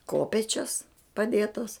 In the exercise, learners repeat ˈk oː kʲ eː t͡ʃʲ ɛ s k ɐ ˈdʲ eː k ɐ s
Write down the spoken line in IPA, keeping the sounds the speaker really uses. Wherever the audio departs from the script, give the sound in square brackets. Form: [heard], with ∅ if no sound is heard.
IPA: ˈk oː [pʲ] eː t͡ʃʲ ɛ s [p] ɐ ˈdʲ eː [t] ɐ s